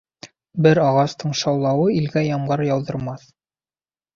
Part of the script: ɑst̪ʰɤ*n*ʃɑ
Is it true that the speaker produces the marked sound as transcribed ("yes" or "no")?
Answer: no